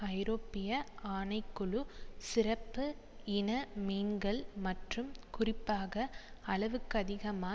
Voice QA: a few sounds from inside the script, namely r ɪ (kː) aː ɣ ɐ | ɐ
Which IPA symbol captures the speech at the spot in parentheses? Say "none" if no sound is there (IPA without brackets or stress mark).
pː